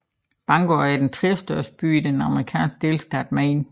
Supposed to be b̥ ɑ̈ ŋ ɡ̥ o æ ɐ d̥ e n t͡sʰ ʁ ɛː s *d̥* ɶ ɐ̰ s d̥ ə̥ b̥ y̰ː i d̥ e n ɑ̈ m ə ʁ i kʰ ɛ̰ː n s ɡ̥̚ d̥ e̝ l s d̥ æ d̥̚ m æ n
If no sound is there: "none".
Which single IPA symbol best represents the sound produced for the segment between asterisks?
d̥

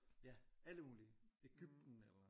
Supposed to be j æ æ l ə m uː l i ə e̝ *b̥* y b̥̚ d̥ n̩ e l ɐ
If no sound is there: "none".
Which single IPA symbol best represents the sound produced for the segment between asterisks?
ɡ̥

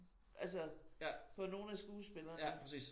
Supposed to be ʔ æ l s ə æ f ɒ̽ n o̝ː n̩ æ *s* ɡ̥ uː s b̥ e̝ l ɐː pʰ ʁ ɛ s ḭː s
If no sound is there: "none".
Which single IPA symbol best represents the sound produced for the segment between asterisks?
s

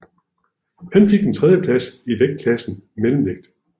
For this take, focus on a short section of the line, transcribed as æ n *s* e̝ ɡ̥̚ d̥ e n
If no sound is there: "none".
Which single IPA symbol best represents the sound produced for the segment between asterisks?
f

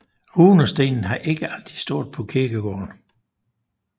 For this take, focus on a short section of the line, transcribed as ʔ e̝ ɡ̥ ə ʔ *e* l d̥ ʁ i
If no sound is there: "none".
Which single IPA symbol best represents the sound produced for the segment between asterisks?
æ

